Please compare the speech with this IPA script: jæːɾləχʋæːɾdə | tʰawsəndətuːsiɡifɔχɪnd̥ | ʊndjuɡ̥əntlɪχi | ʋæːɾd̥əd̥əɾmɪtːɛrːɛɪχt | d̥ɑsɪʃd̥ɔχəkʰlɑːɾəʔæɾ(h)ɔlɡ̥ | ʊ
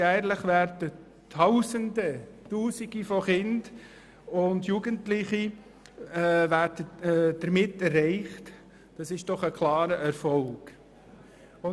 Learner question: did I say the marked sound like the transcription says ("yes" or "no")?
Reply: no